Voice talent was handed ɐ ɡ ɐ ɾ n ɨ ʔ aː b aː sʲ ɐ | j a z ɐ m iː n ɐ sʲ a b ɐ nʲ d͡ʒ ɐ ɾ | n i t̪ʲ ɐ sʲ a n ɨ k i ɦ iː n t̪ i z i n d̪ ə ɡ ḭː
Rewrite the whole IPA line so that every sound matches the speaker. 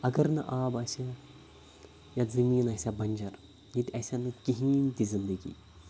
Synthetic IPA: ɐ ɡ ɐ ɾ n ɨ ʔ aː b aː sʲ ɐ | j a z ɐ m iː n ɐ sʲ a b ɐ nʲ d͡ʒ ɐ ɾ | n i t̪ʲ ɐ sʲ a n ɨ k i ɦ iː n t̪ i z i n d̪ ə ɡ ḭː